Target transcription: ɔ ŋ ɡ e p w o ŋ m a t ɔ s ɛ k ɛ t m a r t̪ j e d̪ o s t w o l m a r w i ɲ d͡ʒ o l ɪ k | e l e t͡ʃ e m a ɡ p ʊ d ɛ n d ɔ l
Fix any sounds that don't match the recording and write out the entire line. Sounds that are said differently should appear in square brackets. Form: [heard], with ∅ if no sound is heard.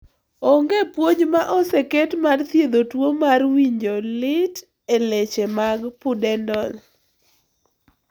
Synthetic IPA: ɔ ŋ ɡ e p w o [ɲ] m a [ʔ] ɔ s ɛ k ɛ t m a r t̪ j e d̪ o [∅] t w o [∅] m a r w i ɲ d͡ʒ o l ɪ [t] | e l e t͡ʃ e m a ɡ p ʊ d ɛ n d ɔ l